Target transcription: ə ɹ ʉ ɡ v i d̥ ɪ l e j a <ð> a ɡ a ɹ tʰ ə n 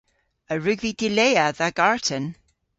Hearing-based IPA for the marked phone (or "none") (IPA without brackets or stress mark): ð